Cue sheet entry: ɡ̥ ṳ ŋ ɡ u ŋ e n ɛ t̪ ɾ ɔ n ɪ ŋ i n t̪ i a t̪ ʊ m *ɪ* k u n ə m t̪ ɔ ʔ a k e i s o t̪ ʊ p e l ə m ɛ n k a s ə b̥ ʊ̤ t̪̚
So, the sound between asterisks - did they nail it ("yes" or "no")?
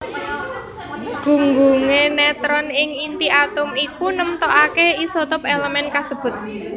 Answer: no